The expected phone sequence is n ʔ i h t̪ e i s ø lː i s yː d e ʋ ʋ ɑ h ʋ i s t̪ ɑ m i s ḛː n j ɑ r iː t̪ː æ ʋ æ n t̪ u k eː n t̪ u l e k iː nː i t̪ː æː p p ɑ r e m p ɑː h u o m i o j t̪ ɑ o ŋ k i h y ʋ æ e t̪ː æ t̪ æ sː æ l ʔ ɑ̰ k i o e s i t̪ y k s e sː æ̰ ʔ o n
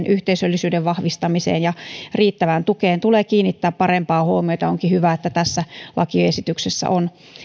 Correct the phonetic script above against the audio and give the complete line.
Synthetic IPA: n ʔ y h t̪ e i s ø lː i s yː d e ʋ ʋ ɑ h ʋ i s t̪ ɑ m i s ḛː n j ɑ r iː t̪ː æ ʋ æ n t̪ u k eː n t̪ u l e k iː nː i t̪ː æː p p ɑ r e m p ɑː h u o m i o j t̪ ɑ o ŋ k i h y ʋ æ e t̪ː æ t̪ æ sː æ l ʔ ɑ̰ k i o e s i t̪ y k s e sː æ̰ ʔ o n